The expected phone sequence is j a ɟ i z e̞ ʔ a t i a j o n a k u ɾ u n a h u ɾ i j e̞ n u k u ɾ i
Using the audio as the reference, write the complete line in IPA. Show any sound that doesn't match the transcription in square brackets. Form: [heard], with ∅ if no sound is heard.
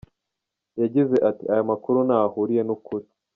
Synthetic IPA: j a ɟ i z e̞ ʔ a t i a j o [m] a k u ɾ u n a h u ɾ i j e̞ n u k u ɾ i